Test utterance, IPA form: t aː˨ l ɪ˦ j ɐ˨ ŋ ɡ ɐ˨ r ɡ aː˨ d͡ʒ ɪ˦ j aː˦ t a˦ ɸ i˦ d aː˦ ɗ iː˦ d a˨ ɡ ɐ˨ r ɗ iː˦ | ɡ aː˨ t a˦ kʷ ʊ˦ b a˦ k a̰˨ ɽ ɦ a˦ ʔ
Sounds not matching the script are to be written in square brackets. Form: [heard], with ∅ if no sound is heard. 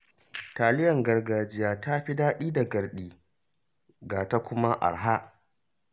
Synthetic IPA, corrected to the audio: t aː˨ l ɪ˦ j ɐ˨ ŋ ɡ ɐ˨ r ɡ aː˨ d͡ʒ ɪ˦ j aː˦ t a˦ ɸ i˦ d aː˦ ɗ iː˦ d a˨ ɡ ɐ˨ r ɗ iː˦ | ɡ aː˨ t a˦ kʷ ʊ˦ [m] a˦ [ʔ] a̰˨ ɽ ɦ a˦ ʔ